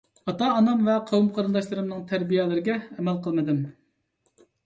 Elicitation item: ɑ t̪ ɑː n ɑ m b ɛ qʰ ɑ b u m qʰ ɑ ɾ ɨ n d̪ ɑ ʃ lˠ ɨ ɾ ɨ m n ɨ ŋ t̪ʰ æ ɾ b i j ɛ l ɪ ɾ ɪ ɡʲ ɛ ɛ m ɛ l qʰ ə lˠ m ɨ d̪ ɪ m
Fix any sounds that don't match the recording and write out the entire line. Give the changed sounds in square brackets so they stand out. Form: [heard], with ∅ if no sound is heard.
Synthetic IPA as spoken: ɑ t̪ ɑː n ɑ m [v] ɛ qʰ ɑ [w] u m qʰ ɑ ɾ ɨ n d̪ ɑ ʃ lˠ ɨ ɾ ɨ m n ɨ ŋ t̪ʰ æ ɾ b i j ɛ l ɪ ɾ ɪ ɡʲ ɛ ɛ m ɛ l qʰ ə lˠ m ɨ d̪ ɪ m